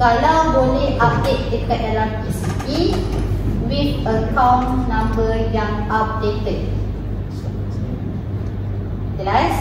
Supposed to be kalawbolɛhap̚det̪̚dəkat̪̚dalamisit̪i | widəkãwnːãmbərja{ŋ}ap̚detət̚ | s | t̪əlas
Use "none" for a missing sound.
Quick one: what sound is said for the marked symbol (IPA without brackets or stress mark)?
ŋ